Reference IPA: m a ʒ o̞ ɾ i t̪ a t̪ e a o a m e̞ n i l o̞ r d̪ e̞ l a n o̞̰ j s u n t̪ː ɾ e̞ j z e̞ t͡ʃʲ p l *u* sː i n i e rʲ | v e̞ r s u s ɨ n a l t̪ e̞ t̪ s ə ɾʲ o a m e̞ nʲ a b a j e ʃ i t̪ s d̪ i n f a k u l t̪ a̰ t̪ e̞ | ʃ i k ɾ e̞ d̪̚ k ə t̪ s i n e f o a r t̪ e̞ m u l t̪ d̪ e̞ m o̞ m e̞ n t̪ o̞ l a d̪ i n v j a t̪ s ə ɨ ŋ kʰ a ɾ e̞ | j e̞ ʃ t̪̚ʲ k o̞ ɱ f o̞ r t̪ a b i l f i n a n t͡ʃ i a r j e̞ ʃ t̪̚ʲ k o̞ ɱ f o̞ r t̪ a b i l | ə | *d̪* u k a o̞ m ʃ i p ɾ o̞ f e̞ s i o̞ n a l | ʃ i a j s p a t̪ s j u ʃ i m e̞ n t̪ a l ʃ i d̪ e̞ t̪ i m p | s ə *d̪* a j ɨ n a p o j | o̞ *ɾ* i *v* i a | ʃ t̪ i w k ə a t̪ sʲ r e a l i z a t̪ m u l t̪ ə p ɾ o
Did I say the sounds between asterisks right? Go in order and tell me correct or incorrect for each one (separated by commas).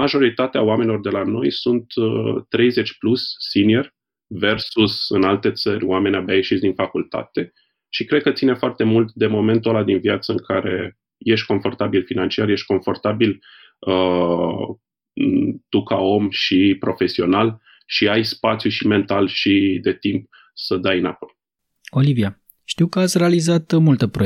correct, incorrect, correct, incorrect, correct